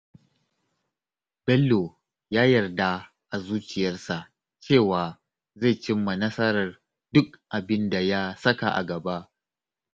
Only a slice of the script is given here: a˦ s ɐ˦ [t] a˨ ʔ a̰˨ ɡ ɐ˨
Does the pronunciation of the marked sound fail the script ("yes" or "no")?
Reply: yes